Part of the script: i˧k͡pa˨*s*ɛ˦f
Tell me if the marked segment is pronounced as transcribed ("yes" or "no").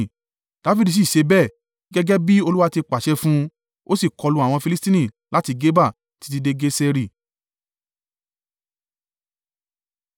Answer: no